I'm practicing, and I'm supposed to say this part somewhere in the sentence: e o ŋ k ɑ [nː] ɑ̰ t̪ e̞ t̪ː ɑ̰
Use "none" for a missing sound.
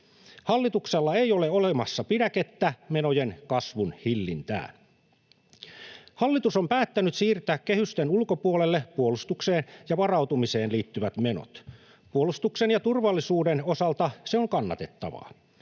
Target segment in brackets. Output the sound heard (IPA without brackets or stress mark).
nː